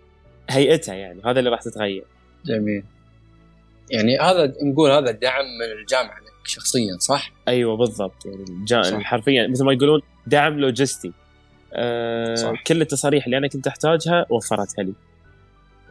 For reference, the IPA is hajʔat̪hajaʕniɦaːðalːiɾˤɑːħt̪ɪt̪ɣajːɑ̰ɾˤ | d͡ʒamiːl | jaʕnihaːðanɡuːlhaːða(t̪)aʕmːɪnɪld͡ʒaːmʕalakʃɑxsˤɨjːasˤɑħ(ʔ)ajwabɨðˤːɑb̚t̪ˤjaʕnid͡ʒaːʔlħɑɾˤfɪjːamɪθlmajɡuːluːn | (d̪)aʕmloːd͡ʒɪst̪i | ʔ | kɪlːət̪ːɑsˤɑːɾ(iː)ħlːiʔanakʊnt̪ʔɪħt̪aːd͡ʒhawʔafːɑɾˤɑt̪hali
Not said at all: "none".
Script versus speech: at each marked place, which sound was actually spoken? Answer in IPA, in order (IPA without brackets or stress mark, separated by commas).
d̪, ʔ, d̪, iː